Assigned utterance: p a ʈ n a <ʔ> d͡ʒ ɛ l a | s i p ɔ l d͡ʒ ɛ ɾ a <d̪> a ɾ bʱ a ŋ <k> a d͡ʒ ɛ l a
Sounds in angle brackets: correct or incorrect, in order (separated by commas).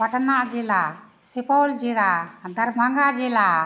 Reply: correct, correct, incorrect